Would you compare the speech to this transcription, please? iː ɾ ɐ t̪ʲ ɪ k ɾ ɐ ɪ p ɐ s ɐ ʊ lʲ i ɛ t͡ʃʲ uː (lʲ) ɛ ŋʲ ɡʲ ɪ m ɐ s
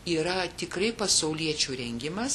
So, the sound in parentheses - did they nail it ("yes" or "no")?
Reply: no